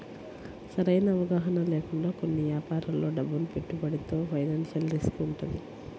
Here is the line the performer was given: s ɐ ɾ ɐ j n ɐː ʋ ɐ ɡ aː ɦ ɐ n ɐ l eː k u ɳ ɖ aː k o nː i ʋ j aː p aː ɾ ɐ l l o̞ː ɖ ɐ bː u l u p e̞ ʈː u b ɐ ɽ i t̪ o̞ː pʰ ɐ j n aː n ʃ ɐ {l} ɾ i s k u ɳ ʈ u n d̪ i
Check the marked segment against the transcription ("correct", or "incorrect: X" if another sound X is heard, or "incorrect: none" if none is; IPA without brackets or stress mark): correct